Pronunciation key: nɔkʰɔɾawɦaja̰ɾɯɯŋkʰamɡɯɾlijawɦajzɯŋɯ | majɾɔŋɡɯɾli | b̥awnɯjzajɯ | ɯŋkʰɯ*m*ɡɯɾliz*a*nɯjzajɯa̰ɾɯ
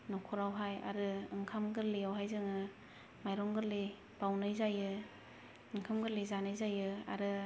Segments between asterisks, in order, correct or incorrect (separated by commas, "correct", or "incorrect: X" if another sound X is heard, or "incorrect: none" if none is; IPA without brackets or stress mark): correct, correct